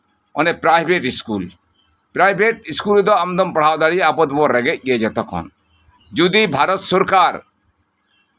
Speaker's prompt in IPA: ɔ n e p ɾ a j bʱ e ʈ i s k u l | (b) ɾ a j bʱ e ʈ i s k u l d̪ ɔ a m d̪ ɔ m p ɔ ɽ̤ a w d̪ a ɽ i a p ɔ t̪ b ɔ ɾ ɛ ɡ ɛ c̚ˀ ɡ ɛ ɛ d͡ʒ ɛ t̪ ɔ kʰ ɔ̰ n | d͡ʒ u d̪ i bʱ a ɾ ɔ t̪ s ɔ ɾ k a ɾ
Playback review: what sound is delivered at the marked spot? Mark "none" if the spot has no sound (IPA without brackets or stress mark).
p